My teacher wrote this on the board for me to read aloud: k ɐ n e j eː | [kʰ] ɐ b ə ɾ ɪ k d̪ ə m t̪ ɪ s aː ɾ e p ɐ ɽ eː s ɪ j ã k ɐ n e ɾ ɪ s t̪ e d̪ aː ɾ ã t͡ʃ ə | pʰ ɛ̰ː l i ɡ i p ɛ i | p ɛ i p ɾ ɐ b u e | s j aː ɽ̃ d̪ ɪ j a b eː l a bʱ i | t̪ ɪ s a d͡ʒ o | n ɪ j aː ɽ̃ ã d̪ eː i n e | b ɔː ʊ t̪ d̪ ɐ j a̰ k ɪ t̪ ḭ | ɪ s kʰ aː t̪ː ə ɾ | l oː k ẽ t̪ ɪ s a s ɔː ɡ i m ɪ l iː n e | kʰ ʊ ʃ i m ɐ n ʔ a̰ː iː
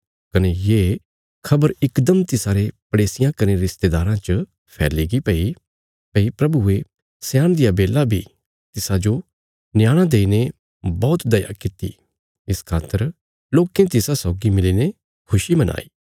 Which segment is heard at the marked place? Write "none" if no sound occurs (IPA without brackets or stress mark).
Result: kʰ